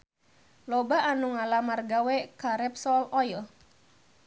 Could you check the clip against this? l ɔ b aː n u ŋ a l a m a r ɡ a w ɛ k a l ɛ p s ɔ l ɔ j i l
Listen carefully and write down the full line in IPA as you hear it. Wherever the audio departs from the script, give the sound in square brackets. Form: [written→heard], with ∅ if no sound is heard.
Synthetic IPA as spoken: l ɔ b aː n u ŋ a l a m a r ɡ a w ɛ k a [l→ɾ] ɛ p s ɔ l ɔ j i l